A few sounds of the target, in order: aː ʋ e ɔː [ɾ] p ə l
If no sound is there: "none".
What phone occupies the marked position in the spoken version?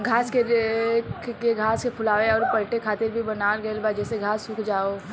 ɾ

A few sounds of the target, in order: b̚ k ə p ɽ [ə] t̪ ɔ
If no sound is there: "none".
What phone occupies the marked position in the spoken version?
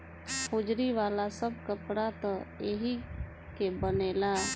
a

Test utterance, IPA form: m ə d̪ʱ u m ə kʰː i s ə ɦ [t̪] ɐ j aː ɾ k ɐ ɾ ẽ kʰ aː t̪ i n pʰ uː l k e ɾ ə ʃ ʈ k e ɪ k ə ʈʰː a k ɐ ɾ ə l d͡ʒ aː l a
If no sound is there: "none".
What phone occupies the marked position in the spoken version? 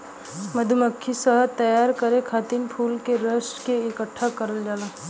t̪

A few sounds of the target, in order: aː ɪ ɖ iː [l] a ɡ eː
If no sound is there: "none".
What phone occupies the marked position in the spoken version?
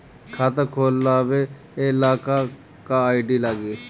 l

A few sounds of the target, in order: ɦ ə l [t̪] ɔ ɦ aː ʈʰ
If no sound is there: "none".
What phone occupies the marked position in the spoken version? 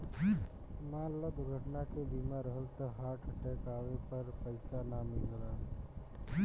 t̪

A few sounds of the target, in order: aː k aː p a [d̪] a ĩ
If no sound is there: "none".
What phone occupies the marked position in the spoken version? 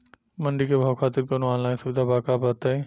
t̪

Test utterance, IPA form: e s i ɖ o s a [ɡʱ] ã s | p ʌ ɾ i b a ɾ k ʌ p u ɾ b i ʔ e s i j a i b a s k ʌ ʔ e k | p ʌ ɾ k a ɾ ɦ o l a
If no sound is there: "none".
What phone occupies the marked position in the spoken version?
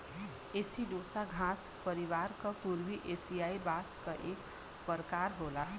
ɡʱ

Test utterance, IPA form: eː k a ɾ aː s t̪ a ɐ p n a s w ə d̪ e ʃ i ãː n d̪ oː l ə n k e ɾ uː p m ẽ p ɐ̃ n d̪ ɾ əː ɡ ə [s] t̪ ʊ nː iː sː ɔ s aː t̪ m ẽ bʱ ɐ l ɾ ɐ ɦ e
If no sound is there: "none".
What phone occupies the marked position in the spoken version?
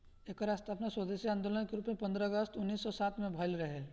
s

